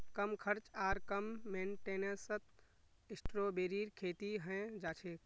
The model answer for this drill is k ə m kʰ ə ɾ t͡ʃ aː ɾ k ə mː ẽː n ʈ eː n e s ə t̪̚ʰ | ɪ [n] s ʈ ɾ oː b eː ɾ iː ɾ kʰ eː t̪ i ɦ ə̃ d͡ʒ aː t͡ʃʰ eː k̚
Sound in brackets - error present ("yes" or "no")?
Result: yes